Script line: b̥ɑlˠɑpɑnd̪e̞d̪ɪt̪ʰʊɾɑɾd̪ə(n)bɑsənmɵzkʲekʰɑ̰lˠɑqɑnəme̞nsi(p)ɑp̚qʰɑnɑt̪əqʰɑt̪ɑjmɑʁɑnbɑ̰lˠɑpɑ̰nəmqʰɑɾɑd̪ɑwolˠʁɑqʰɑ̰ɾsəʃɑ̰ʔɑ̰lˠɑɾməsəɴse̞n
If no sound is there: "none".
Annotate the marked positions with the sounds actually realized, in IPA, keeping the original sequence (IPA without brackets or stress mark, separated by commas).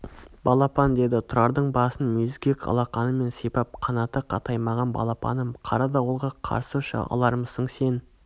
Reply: ɴ, p